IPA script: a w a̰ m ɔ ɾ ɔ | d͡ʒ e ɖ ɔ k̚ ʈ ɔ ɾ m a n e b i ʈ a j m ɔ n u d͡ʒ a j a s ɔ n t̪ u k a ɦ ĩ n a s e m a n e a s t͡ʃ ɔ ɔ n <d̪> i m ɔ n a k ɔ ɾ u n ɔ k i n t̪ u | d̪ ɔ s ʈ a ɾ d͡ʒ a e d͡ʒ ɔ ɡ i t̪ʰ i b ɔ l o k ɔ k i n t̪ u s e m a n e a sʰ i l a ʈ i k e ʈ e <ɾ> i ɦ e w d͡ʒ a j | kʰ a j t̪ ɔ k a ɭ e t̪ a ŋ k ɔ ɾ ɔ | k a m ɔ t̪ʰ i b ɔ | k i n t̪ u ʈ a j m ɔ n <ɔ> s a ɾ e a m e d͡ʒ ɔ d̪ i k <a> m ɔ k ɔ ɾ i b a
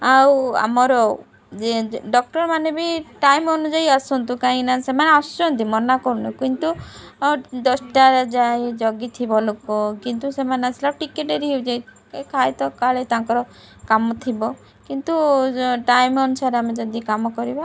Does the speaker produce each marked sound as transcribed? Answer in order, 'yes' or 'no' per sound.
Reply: no, yes, no, yes

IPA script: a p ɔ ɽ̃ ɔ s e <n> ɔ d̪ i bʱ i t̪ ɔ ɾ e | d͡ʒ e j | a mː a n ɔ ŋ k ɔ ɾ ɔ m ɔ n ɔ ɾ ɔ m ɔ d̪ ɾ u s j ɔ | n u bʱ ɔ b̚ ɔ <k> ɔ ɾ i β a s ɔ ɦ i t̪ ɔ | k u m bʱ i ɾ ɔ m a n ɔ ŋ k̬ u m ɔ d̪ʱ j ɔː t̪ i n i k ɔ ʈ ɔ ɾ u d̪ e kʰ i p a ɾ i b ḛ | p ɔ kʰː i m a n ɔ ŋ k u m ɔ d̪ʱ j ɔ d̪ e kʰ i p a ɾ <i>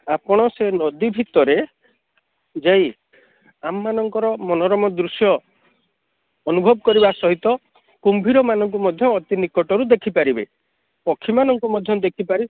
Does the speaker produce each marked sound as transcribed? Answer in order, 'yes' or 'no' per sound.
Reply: yes, yes, yes

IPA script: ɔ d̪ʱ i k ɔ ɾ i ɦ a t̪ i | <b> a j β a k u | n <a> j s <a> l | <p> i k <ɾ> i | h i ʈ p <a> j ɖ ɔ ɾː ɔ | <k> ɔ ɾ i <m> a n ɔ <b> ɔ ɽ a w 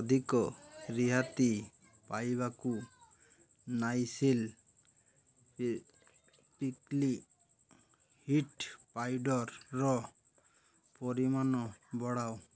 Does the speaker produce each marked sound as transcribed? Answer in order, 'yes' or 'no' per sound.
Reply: no, yes, no, yes, no, yes, no, yes, yes

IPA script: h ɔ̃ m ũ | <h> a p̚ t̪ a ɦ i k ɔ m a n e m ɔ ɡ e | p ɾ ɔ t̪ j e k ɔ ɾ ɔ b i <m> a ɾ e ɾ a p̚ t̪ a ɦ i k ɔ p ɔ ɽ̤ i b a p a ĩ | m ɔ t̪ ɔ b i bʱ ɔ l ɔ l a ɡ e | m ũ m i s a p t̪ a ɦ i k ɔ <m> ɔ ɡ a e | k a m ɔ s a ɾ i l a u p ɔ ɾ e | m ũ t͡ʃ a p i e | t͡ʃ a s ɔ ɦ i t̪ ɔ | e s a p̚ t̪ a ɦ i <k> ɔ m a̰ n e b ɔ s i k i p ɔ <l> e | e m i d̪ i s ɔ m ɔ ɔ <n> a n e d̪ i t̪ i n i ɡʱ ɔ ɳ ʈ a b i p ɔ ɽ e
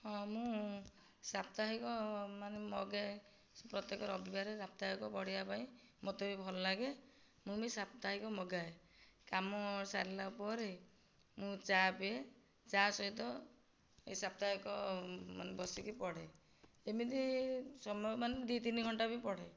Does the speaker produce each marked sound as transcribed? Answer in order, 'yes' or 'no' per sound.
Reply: no, no, yes, yes, no, no

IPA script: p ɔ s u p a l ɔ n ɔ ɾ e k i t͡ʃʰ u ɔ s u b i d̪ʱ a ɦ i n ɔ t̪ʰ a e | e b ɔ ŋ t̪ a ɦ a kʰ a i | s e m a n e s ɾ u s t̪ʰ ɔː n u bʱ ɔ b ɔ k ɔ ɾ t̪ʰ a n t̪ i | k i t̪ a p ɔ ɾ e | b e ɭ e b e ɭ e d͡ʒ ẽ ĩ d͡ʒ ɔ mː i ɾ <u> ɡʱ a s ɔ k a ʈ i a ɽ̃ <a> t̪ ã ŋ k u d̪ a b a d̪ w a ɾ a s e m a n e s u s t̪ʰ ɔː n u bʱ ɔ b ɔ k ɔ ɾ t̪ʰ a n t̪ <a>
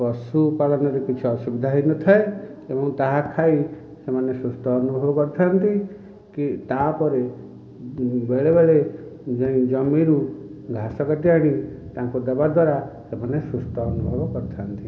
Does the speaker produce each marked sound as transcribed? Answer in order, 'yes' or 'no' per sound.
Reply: yes, no, no

